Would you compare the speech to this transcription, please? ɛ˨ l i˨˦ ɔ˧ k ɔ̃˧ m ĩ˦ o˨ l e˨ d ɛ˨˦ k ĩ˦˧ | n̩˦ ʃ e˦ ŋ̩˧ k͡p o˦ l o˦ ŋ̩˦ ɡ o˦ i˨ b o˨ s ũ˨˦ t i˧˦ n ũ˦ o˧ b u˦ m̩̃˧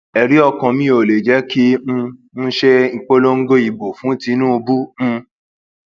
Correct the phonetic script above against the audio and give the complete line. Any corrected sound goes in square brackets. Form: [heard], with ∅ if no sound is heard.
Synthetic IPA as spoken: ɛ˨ [ɾ] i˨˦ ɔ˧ k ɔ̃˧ m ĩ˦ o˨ l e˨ [d͡ʒ] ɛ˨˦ k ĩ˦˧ | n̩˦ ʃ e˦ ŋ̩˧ k͡p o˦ l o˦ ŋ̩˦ ɡ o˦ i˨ b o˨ [f] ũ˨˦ t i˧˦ n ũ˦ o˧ b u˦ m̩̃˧